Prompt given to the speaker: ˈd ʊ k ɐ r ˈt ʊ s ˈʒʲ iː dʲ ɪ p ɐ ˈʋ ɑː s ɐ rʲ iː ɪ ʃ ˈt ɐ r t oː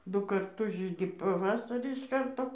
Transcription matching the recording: ˈd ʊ k ɐ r ˈt ʊ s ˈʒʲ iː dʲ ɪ p ɐ ˈʋ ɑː s ɐ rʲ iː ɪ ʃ ˈk ɐ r t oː